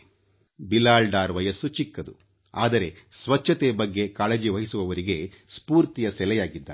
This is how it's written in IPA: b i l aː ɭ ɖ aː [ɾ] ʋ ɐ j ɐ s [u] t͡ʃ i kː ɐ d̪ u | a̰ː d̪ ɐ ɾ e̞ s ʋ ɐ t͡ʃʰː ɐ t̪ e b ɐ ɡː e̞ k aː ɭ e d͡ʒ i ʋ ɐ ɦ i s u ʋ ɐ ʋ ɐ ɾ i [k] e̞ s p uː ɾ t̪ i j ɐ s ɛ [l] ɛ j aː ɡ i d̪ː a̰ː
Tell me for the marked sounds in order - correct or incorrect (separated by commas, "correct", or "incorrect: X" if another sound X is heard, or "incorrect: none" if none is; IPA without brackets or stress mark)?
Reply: correct, correct, incorrect: ɡ, correct